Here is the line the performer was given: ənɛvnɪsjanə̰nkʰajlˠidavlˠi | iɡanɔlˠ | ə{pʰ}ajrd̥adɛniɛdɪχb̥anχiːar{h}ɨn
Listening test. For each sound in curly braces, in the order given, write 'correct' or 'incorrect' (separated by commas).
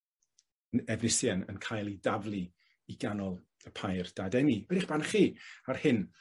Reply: correct, correct